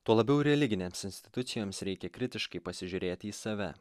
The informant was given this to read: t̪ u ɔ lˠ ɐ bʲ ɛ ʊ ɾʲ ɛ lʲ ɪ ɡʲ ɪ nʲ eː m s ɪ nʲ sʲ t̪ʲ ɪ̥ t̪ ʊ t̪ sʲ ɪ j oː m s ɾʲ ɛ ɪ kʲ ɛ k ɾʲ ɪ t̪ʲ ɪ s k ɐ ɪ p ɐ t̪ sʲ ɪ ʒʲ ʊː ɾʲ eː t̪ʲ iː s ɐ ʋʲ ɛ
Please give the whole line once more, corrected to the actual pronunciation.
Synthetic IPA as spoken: t̪ u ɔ lˠ ɐ bʲ ɛ ʊ ɾʲ ɛ lʲ ɪ ɡʲ ɪ nʲ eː m s ɪ nʲ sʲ t̪ʲ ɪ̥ t̪ ʊ t̪ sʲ ɪ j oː m s ɾʲ ɛ ɪ kʲ ɛ k ɾʲ ɪ t̪ʲ ɪ ʃ k ɐ ɪ p ɐ sʲ ɪ ʒʲ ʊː ɾʲ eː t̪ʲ iː s ɐ ʋʲ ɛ